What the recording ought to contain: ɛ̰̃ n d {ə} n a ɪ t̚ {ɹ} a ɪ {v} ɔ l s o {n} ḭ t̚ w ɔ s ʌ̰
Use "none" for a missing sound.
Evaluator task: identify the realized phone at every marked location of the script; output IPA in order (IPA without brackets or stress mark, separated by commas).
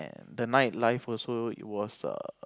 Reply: ə, l, f, none